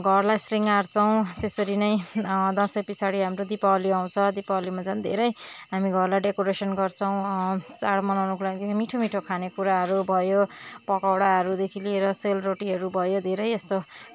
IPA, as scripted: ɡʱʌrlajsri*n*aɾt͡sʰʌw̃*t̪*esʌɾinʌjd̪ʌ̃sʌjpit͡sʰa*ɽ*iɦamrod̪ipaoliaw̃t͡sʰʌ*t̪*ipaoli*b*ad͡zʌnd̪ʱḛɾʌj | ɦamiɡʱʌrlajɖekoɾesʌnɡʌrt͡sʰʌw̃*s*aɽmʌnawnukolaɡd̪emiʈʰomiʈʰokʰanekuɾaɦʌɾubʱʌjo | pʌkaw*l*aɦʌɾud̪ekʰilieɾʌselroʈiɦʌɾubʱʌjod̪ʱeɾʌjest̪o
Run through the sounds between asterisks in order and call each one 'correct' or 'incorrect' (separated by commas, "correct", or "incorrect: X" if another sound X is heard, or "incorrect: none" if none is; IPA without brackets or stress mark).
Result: incorrect: ŋ, correct, correct, incorrect: d̪, incorrect: m, incorrect: t͡s, incorrect: ɽ